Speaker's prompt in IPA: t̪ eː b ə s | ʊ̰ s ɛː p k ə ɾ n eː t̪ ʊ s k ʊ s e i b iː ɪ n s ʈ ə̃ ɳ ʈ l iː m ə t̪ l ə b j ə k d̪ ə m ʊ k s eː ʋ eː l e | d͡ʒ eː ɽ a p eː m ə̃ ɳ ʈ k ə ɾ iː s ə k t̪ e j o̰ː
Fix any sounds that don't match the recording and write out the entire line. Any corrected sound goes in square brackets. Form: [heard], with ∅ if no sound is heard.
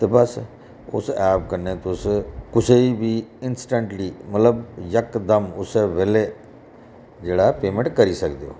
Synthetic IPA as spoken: t̪ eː b ə s | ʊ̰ s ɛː p k ə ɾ n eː t̪ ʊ s k ʊ s e i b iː ɪ n s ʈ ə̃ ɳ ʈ l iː m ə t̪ l ə b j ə k d̪ ə m ʊ [∅] s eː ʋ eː l e | d͡ʒ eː ɽ a p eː m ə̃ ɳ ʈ k ə ɾ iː s ə k [d̪] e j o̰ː